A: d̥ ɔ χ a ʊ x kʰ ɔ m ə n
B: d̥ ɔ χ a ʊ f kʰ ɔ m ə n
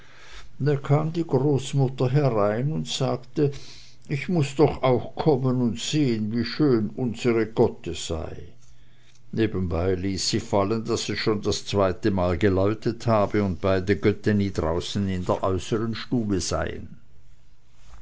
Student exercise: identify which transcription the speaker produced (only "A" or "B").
A